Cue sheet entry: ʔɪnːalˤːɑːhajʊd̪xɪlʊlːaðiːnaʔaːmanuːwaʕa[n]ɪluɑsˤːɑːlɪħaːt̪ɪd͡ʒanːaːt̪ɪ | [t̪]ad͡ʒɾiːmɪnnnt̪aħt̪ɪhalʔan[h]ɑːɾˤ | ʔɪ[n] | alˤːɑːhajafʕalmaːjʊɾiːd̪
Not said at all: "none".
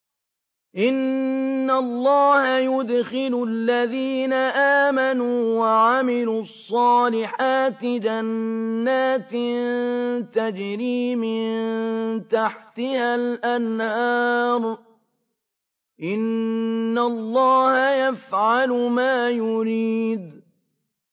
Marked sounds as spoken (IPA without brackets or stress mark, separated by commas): m, t̪, h, nː